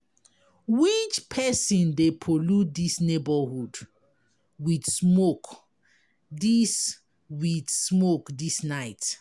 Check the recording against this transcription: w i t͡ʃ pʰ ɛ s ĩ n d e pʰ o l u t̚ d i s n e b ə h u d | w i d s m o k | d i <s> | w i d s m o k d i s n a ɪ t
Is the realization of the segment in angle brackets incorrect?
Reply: no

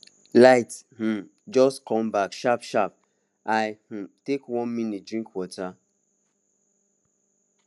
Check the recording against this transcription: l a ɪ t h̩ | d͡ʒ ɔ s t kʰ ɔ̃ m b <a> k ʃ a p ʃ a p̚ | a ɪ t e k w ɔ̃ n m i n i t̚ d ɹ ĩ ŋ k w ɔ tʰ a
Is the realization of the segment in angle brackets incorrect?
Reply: no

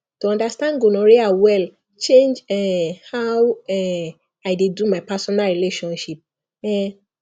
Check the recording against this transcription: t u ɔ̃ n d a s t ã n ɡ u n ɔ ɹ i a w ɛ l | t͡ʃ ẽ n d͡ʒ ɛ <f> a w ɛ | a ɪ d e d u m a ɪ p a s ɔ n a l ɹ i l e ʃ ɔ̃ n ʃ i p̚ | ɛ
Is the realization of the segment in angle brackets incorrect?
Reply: yes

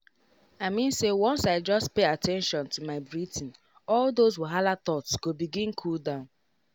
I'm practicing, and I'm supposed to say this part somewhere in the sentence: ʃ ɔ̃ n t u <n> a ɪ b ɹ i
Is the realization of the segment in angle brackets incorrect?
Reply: yes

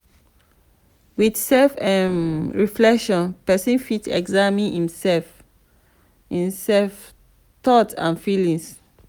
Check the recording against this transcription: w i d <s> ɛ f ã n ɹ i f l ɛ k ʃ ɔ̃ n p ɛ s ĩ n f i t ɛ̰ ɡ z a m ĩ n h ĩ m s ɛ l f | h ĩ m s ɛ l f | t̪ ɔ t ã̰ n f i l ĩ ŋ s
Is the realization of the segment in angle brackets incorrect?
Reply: no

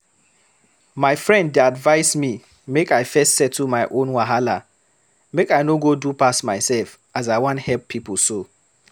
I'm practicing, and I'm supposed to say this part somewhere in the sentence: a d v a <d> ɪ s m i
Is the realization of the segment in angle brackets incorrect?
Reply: yes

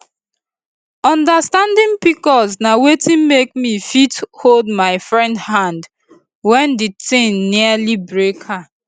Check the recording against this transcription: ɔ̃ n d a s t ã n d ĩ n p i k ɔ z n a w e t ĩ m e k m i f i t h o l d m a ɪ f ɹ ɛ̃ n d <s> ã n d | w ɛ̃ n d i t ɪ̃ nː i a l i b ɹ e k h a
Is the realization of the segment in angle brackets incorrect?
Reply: yes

